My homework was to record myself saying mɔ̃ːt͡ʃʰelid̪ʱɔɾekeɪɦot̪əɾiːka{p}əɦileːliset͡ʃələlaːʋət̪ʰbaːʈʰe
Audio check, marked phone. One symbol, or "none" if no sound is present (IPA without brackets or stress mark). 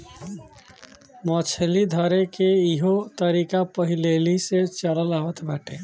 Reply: p